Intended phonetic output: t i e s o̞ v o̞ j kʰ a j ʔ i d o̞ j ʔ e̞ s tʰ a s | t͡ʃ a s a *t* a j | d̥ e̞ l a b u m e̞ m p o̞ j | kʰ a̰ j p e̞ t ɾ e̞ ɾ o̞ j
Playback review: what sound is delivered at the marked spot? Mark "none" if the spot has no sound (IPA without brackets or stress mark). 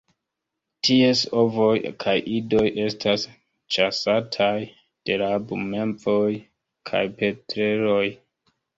tʰ